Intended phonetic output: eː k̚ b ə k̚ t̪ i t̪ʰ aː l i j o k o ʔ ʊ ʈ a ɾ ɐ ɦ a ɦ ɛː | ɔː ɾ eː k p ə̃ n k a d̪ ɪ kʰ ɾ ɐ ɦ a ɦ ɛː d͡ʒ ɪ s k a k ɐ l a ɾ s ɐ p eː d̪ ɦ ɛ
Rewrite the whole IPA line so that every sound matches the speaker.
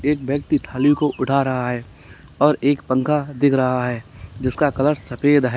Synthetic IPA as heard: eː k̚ b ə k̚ t̪ i t̪ʰ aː l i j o k o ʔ ʊ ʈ a ɾ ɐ ɦ a ɦ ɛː | ɔː ɾ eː k p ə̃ ŋ k a d̪ ɪ kʰ ɾ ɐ ɦ a ɦ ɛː d͡ʒ ɪ s k a k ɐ l ə ɾ s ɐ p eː d̪ ɦ ɛ

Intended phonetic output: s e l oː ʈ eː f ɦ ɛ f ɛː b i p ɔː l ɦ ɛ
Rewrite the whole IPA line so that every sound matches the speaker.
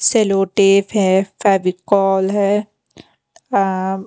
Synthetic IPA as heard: s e l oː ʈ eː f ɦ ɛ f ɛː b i k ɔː l ɦ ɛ

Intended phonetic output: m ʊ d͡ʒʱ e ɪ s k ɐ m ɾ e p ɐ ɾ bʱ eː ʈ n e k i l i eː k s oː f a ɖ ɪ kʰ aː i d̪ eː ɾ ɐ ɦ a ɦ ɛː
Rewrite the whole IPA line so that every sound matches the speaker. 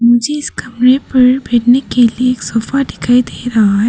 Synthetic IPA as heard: m ʊ d͡ʒʱ e ɪ s k ɐ m ɾ e p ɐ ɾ bʱ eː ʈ n e k e l i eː k s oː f a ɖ ɪ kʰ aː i d̪ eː ɾ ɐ ɦ a ɦ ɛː

